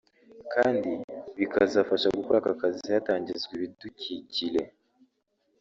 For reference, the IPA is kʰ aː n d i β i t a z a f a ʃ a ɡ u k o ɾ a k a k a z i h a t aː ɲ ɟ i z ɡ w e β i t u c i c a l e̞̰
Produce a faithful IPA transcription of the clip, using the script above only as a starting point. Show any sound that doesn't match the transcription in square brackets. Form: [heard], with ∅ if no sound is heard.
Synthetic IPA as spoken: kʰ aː n d i β i [k] a z a f a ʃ a ɡ u k o ɾ a k a k a z i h a t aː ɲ ɟ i z ɡ w e β i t u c i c [i] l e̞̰